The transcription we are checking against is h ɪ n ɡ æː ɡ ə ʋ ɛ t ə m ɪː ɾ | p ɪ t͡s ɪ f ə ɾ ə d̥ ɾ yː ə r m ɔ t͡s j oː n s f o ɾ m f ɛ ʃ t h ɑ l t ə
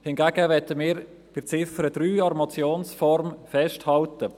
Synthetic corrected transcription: h ɪ n ɡ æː ɡ ə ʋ ɛ t ə m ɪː ɾ | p ɪ t͡s ɪ f ə ɾ ə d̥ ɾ yː ɑ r m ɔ t͡s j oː n s f ɔ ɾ m f ɛ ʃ t h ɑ l t ə

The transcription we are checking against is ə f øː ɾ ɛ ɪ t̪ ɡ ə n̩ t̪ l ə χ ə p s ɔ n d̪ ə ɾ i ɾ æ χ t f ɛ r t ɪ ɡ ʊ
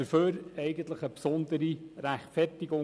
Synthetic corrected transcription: ə f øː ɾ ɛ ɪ ɡ ə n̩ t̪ l ə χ ə p s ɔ n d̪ ə ɾ i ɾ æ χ t f ɛ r t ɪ ɡ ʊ

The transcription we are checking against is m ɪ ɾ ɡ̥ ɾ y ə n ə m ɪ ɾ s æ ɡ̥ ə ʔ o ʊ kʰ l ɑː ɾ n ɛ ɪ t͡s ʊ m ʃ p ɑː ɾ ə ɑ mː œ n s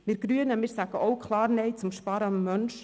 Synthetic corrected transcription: m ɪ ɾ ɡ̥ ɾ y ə n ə m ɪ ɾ s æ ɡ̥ ə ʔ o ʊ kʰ l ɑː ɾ n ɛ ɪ t͡s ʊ m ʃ p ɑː ɾ ə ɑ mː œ n ʃ

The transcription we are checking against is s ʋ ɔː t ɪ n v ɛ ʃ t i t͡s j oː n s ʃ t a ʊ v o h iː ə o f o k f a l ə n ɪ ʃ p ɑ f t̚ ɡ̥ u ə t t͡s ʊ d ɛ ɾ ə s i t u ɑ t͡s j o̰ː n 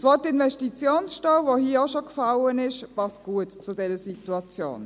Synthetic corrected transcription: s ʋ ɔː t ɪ n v ɛ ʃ t i t͡s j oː n s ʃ t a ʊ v o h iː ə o ʃ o k f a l ə n ɪ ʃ p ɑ s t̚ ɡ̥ u ə t t͡s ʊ d ɛ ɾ ə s i t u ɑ t͡s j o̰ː n

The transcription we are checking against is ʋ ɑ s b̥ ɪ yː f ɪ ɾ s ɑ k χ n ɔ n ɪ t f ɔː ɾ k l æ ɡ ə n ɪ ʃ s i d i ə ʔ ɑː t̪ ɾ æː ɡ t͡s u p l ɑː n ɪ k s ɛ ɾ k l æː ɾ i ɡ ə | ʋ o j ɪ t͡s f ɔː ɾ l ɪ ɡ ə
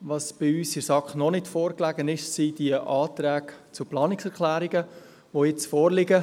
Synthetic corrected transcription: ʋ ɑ s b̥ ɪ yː s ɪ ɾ s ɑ k χ n ɔ n ɪ t f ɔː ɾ k l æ ɡ ə n ɪ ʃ s i d i ə ʔ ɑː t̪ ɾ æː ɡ t͡s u p l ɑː n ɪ k s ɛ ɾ k l æː ɾ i ɡ ə | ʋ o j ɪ t͡s f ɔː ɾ l ɪ ɡ ə

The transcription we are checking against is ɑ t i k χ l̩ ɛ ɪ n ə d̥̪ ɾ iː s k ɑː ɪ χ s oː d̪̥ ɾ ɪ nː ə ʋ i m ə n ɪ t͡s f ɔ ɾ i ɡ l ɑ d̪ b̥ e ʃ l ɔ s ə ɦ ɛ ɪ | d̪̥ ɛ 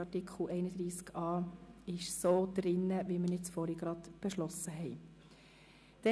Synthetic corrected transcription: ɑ t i k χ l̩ ɛ ɪ n ə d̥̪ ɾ iː s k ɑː ɪ ʃ s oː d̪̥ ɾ ɪ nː ə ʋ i m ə n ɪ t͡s f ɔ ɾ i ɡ ɾ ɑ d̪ b̥ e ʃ l ɔ s ə ɦ ɛ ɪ | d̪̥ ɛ

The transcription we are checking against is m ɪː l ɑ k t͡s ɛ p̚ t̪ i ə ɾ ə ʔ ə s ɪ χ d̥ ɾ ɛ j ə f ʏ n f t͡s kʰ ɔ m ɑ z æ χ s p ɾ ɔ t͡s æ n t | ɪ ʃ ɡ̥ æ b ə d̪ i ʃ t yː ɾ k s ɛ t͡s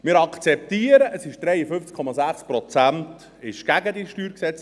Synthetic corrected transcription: m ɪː ɾ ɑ k t͡s ɛ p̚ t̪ i ə ɾ ə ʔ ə s ɪ ʃ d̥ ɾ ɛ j ə f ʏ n f t͡s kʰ ɔ m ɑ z æ χ s p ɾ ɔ t͡s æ n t | ɪ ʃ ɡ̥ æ ɡ ə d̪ i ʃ t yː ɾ k s ɛ t͡s

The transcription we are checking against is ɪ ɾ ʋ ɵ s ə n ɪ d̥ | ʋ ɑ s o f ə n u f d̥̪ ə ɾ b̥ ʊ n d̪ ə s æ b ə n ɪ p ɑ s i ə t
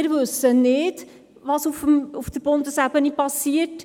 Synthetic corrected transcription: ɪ ɾ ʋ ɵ s ə n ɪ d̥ | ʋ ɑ s u f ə m u f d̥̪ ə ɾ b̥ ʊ n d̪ ə s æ b ə n i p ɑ s i ə t

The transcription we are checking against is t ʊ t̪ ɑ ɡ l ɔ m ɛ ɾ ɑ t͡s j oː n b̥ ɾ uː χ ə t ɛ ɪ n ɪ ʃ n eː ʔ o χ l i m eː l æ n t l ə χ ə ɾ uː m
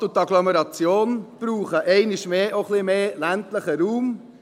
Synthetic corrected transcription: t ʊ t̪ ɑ ɡ l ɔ m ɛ ɾ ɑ t͡s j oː n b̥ ɾ uː χ ə ʔ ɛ ɪ n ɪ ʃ m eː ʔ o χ l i m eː l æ n t l ə χ ə ɾ uː m

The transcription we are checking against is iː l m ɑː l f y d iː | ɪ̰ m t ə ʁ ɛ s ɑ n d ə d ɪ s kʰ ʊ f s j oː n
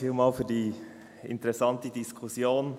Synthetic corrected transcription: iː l m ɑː l f yː d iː | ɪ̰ n t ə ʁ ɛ s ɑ n t ə d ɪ s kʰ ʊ s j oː n

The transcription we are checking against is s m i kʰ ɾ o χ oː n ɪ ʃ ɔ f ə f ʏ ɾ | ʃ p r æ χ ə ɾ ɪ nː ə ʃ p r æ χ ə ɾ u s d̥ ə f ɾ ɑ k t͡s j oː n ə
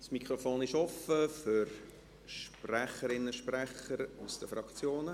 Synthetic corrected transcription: s m i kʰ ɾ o f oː n ɪ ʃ ɔ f ə f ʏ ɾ | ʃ p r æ χ ə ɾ ɪ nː ə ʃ p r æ χ ə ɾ u s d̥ ə f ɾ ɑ k t͡s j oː n ə

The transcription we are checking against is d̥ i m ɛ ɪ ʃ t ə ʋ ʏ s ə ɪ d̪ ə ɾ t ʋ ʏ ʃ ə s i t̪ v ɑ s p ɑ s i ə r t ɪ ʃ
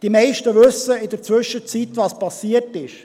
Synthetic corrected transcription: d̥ i m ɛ ɪ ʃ t ə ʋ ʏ s ə ɪ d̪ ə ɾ t͡s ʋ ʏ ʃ ə t͡s i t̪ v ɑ s p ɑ s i ə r t ɪ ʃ

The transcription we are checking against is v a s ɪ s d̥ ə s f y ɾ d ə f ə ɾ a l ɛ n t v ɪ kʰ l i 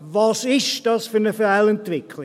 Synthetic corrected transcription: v ɑ s ɪ ʃ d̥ ɑ s f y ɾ n ə f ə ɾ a l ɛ n t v ɪ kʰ l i

